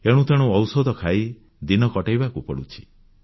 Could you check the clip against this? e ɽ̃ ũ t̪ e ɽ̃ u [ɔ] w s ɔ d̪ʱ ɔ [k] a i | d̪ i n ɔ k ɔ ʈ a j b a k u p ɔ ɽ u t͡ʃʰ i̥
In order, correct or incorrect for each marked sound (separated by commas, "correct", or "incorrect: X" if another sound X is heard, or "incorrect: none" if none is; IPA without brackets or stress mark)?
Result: correct, incorrect: kʰ